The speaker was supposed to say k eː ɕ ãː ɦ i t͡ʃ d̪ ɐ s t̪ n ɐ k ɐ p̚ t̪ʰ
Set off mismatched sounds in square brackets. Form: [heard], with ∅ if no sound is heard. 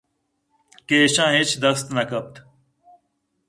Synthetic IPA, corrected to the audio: k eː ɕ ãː ɦ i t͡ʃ d̪ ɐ s t̪ n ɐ k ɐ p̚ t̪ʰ

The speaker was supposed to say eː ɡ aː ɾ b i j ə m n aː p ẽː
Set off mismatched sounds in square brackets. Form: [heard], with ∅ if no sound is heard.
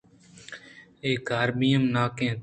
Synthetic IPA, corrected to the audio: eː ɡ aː ɾ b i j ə m n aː [k] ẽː

